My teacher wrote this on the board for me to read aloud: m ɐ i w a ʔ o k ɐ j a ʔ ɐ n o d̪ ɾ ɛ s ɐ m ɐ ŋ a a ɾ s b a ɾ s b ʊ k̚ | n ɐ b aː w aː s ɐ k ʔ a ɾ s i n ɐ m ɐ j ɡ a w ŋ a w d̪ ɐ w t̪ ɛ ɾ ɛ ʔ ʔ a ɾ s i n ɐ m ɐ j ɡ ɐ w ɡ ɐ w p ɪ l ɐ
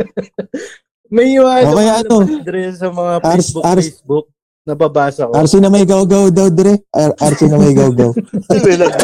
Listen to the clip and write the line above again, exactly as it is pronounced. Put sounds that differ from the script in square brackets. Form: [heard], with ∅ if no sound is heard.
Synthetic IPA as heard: m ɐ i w a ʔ o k ɐ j a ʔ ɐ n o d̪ ɾ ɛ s ɐ m ɐ ŋ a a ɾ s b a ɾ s b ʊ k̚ | n ɐ b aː [b] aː s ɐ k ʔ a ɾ s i n ɐ m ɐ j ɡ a w [ɡ] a w d̪ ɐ w [d̪] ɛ ɾ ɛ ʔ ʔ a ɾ s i n ɐ m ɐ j ɡ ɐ w ɡ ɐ w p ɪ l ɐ